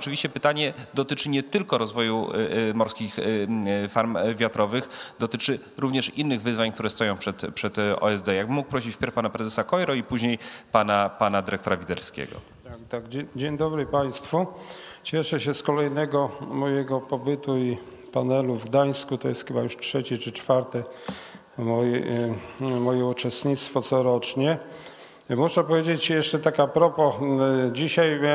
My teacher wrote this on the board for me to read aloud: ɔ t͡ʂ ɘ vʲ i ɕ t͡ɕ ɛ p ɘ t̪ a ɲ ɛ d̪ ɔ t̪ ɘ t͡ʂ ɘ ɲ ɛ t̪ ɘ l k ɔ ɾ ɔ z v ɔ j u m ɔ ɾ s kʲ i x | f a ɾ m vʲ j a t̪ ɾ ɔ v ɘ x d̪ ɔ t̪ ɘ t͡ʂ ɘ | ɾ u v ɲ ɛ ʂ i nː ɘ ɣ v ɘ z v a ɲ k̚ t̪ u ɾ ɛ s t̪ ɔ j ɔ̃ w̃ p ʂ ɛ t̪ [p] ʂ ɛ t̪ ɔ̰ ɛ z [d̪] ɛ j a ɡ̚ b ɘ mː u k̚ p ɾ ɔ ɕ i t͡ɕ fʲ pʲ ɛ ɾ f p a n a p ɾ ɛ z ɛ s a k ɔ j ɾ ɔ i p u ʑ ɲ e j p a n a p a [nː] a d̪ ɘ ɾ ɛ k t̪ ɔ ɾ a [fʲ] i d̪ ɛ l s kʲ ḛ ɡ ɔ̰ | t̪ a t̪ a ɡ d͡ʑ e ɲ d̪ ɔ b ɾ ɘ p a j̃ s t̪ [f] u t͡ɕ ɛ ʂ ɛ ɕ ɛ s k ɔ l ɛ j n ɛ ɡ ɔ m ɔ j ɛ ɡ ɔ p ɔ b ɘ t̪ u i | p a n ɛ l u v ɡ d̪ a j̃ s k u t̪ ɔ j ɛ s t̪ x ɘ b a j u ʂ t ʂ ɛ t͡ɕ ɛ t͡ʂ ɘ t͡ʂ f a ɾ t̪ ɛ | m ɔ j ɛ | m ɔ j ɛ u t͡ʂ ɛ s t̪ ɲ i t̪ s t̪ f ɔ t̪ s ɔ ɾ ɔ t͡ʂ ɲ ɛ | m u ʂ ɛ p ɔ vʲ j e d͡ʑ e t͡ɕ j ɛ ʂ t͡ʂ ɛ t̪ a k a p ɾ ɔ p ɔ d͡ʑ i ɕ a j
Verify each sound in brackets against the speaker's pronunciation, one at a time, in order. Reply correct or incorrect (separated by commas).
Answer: correct, correct, incorrect, incorrect, correct